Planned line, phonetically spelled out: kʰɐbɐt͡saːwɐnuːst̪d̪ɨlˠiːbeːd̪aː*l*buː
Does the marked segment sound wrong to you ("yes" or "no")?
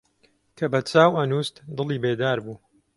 yes